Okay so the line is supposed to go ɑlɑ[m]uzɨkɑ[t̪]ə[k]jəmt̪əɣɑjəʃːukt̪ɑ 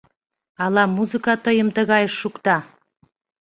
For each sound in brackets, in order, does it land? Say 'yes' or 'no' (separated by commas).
yes, yes, no